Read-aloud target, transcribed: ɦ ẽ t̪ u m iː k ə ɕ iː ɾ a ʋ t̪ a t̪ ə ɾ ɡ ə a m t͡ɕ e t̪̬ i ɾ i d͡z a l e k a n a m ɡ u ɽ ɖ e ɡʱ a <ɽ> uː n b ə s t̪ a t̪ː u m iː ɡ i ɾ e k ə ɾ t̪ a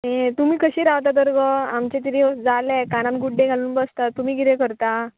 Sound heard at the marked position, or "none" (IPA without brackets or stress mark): l